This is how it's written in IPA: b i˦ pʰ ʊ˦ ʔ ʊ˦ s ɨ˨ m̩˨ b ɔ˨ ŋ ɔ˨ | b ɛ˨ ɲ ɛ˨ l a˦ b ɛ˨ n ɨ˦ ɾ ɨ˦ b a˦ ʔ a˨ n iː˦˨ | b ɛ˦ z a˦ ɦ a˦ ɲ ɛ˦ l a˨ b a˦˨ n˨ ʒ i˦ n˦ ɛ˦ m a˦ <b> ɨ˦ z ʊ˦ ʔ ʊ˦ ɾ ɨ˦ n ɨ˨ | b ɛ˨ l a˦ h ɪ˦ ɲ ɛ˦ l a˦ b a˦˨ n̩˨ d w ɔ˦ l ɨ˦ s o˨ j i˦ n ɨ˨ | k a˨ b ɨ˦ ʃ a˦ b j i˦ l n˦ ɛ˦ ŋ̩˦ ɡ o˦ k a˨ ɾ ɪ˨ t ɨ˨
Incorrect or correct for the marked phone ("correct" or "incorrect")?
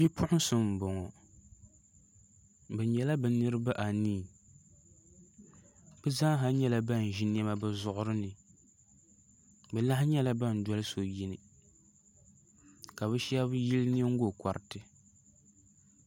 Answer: correct